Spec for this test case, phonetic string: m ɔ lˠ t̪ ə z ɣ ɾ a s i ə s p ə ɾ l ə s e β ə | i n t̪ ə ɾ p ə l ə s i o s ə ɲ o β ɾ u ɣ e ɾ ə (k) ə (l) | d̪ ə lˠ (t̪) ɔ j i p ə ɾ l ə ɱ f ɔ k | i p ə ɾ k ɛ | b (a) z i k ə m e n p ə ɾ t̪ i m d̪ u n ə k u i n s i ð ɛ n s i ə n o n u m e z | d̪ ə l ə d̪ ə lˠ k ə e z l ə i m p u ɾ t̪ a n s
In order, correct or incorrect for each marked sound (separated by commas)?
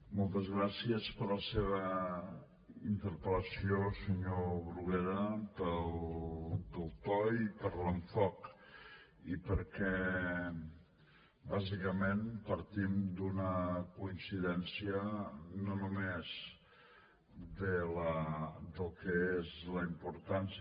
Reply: incorrect, correct, correct, correct